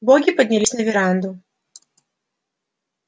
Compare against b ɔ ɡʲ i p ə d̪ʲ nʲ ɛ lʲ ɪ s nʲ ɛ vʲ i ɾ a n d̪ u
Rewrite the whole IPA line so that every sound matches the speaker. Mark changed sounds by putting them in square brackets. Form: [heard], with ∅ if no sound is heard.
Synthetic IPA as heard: b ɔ ɡʲ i p [ɐ] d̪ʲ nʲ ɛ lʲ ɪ s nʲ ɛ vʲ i ɾ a n d̪ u